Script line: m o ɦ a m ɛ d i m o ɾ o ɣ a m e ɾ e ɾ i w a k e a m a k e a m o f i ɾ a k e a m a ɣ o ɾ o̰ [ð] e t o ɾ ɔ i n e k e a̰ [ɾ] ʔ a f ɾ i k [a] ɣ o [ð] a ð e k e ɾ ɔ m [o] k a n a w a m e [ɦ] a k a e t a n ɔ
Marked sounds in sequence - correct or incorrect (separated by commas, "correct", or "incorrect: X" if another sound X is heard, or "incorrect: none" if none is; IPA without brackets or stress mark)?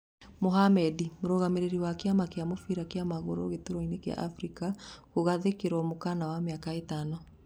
incorrect: ɣ, incorrect: none, correct, incorrect: ɣ, correct, incorrect: none